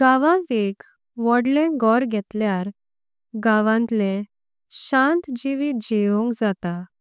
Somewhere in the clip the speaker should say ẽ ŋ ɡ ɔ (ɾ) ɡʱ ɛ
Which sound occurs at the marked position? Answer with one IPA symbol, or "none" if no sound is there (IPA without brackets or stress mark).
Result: ɾ